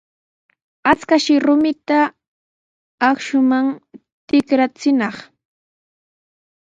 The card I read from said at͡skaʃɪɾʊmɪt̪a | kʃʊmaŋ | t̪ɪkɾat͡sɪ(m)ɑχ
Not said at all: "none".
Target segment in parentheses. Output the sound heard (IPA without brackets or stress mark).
n